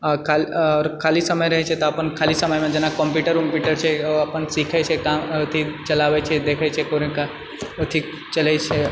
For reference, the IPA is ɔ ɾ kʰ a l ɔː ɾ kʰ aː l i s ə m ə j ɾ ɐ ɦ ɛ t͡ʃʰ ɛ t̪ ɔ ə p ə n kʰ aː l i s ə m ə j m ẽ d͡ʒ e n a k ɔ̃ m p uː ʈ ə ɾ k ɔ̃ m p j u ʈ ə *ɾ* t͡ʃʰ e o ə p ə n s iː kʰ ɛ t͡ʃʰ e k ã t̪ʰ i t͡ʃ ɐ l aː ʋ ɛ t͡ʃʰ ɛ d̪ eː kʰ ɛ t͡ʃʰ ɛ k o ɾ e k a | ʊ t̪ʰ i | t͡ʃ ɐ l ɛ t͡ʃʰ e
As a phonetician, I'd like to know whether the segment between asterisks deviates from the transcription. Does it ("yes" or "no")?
no